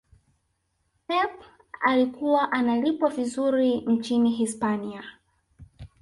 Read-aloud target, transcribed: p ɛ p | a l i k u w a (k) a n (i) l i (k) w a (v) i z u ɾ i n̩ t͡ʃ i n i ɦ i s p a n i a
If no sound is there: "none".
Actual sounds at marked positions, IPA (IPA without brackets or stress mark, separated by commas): ʔ, a, p, v